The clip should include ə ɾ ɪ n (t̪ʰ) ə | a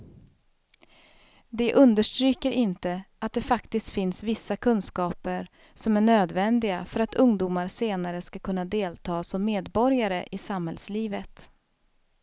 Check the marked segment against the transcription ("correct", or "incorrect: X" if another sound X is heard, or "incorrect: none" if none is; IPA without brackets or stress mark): incorrect: t̪